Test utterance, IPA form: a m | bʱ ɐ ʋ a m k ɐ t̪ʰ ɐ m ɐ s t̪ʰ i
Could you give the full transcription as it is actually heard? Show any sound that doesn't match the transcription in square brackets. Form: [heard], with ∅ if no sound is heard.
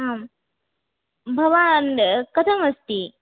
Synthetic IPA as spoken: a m | bʱ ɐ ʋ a [n] k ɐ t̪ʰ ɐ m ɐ s [t̪] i